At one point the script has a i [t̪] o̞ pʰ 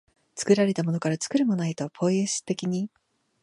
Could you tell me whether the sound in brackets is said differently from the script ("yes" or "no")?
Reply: no